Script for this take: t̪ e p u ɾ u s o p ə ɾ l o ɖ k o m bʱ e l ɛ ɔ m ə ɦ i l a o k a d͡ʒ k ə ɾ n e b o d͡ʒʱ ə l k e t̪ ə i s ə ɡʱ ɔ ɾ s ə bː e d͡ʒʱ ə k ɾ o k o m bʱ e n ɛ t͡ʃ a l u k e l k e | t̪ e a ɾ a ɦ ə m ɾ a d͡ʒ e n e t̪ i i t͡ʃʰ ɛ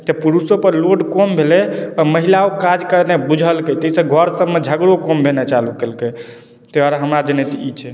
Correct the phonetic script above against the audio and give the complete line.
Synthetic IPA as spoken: t̪ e p u ɾ u s o p ə ɾ l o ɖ k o m bʱ e l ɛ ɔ m ə ɦ i l a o k a d͡ʒ k ə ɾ n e b u d͡ʒʱ ə l k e t̪ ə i s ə ɡʱ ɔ ɾ s ə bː e d͡ʒʱ ə ɡ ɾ o k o m bʱ e n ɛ t͡ʃ a l u k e l k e | t̪ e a ɾ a ɦ ə m ɾ a d͡ʒ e n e t̪ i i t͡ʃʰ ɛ